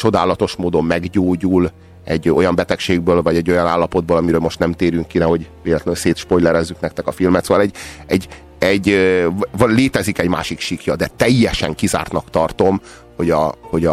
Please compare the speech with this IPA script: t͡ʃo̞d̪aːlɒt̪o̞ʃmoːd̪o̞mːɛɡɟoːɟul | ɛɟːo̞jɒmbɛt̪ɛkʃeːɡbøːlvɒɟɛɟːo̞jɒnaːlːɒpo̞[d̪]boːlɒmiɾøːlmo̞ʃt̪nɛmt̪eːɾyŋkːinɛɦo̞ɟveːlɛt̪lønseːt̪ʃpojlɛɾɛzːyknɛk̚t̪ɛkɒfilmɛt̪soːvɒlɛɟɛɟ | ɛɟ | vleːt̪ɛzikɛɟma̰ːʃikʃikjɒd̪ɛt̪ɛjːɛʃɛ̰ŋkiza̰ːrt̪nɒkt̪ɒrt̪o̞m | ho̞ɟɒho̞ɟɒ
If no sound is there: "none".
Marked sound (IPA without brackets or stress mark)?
d̪